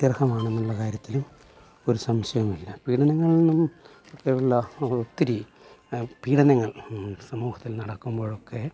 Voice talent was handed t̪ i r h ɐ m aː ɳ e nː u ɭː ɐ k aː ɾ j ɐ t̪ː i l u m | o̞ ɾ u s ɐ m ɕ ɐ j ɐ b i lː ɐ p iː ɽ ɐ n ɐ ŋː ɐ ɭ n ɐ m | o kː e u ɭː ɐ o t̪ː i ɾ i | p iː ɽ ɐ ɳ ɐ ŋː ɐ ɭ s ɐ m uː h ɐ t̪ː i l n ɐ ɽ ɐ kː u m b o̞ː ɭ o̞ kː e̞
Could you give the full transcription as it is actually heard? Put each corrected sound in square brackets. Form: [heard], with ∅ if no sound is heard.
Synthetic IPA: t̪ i r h ɐ m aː ɳ e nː u ɭː ɐ k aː ɾ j ɐ t̪ː i l u m | o̞ ɾ u s ɐ m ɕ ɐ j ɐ [m] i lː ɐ p iː ɽ ɐ n ɐ ŋː ɐ ɭ n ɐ m | o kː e u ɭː ɐ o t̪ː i ɾ i | p iː ɽ ɐ [n] ɐ ŋː ɐ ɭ s ɐ m uː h ɐ t̪ː i l n ɐ ɽ ɐ kː u m b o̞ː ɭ o̞ kː e̞